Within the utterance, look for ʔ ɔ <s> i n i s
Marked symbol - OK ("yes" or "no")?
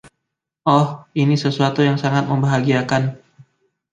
no